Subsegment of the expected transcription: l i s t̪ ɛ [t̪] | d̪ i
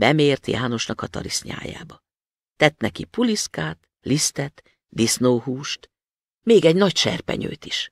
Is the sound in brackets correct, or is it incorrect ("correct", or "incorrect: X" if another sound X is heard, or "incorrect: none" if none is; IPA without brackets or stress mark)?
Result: correct